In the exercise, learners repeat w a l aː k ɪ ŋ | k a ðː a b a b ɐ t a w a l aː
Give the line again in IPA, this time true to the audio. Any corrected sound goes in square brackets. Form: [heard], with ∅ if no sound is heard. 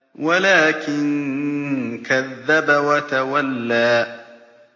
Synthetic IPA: w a l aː k ɪ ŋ | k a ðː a b a [w] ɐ t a w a [lː] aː